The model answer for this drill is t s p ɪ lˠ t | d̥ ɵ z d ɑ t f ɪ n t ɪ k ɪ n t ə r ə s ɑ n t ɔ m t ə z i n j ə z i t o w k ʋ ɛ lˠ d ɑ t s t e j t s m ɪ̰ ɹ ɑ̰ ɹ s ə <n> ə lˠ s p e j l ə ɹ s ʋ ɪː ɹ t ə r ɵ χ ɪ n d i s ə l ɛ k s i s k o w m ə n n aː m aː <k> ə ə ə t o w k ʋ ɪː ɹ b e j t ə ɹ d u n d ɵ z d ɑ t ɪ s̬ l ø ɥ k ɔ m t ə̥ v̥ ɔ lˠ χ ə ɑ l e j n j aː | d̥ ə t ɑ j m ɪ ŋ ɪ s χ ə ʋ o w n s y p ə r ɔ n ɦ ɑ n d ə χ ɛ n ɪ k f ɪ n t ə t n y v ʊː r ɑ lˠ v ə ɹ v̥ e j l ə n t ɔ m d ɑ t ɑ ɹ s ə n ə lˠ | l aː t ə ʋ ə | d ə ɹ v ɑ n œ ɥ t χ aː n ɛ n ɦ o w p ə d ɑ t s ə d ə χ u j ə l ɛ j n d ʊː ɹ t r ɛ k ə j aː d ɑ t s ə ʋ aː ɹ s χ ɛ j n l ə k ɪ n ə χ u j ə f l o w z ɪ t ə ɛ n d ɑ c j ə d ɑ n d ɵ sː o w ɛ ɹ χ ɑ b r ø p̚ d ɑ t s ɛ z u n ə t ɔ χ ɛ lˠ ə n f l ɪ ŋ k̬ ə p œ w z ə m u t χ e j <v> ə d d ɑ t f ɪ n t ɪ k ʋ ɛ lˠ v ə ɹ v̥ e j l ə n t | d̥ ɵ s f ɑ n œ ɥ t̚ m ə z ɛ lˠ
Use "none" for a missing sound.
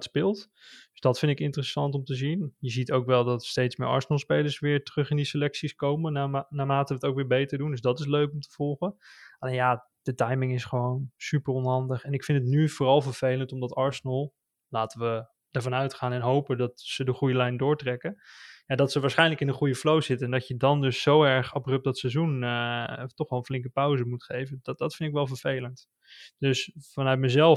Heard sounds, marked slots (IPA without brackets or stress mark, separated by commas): n, t, v